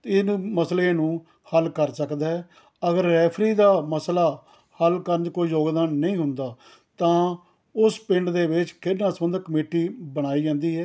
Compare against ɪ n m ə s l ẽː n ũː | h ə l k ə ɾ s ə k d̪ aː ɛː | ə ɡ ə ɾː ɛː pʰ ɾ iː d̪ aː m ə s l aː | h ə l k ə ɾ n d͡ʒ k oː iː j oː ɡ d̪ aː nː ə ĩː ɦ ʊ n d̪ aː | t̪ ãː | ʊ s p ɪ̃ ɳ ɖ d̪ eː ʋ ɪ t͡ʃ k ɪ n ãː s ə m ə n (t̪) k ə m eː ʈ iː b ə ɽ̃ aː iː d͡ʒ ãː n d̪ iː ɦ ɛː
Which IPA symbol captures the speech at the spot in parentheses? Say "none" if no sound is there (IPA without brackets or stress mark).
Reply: d̪